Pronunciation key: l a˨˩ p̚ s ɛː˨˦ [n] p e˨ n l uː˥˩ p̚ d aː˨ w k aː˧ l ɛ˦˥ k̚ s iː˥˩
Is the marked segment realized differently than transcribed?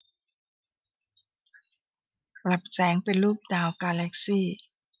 yes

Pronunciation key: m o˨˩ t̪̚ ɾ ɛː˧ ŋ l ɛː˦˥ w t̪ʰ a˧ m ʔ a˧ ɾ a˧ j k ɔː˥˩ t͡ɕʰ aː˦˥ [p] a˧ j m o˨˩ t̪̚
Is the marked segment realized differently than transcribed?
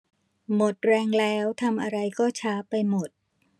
no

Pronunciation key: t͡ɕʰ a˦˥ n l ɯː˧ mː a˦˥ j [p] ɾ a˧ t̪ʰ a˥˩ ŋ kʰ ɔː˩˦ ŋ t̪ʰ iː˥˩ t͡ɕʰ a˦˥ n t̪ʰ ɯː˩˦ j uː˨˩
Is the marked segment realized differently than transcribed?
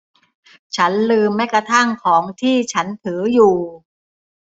yes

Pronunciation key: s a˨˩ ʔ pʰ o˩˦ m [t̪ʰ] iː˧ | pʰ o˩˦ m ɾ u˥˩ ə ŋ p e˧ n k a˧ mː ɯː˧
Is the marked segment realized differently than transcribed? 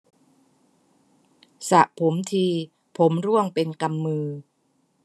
no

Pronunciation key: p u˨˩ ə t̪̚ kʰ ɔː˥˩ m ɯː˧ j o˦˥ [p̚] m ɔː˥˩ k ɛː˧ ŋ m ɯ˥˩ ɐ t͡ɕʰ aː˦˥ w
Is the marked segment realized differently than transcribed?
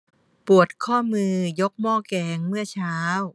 yes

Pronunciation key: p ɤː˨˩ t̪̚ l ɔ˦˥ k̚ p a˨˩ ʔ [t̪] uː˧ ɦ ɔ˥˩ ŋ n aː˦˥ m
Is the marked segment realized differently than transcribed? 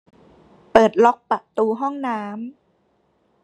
no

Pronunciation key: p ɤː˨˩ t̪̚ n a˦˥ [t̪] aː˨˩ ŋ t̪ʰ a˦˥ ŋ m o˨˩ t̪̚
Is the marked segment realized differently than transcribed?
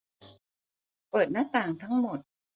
no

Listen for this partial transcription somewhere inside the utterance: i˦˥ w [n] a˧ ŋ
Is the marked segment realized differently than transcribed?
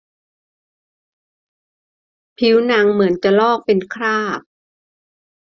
no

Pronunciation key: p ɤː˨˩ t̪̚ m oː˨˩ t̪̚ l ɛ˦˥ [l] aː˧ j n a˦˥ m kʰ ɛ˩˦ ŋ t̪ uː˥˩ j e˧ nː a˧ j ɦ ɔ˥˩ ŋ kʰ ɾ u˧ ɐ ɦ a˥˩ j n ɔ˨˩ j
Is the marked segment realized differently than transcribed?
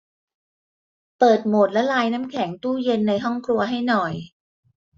no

